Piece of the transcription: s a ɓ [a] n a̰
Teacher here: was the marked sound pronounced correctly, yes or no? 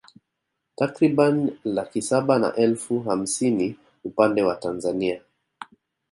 yes